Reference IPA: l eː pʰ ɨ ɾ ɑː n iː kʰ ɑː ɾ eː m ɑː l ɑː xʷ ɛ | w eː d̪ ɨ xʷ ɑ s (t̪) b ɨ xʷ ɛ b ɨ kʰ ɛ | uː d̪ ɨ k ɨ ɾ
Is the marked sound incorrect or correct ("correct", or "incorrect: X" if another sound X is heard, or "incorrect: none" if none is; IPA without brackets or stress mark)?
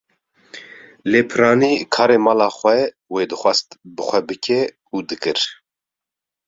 correct